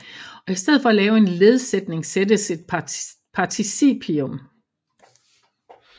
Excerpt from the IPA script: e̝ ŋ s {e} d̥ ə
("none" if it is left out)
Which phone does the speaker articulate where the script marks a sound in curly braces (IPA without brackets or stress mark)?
e